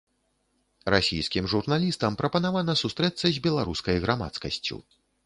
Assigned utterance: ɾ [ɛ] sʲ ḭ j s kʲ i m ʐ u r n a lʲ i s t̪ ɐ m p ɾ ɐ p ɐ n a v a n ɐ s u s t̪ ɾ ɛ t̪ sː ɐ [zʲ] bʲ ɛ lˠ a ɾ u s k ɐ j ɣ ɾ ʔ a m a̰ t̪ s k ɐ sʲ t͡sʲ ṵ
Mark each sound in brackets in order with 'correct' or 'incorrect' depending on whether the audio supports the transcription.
incorrect: a, correct

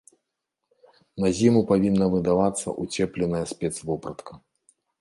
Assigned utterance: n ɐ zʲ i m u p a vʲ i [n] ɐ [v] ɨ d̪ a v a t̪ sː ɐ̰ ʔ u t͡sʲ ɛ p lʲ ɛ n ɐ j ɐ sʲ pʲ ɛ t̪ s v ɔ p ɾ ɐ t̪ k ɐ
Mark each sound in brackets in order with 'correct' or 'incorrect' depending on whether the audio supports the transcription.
incorrect: nː, correct

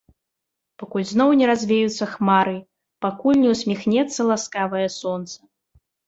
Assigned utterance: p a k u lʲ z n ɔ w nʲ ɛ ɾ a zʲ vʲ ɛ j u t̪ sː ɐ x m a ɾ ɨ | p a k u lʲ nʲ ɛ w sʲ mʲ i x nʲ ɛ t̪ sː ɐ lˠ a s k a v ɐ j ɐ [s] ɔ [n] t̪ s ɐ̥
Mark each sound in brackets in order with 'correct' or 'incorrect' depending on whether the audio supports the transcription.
correct, correct

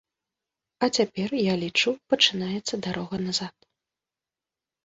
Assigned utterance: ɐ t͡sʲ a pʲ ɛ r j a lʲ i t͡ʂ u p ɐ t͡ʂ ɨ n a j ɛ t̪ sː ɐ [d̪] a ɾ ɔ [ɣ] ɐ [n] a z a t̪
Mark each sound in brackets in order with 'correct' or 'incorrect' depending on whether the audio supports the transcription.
correct, correct, correct

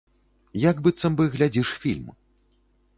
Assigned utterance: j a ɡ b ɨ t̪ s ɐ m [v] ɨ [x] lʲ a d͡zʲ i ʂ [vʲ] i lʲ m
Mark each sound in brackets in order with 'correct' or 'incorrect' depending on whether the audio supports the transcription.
incorrect: b, incorrect: ɣ, incorrect: fʲ

